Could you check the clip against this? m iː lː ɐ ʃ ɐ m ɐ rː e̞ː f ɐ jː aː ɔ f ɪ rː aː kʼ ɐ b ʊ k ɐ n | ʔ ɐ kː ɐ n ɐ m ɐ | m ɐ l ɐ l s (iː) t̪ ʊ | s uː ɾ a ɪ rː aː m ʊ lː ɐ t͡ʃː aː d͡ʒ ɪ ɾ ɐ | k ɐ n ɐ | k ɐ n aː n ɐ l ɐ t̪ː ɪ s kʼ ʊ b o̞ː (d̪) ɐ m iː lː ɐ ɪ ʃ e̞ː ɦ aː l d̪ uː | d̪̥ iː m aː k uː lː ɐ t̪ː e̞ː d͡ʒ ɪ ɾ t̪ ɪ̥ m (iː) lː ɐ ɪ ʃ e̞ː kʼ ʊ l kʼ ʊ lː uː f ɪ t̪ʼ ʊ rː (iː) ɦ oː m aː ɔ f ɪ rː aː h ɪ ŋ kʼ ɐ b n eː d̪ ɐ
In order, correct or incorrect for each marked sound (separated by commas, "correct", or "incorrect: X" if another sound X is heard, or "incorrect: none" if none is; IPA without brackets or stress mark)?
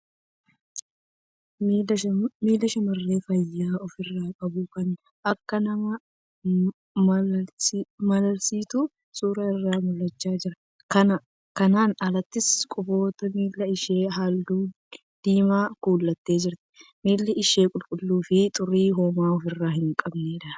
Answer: correct, incorrect: t̪, correct, correct